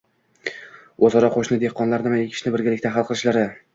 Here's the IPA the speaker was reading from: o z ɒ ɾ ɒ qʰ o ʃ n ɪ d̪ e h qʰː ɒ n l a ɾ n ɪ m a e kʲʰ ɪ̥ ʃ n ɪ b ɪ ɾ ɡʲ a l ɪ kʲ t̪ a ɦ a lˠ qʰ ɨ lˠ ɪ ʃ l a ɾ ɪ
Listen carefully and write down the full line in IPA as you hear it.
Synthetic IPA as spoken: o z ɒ ɾ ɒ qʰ o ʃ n ɪ d̪ e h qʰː ɒ n l a ɾ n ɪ m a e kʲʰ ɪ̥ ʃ n ɪ b ɪ ɾ ɡʲ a l ɪ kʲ t̪ a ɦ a lˠ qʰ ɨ lˠ ɪ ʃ l a ɾ ɪ